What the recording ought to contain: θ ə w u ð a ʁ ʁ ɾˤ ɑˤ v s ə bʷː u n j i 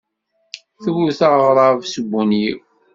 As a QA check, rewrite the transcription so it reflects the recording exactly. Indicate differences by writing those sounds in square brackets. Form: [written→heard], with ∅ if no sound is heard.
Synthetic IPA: θ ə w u [ð→θ] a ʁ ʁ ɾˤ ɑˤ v s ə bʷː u n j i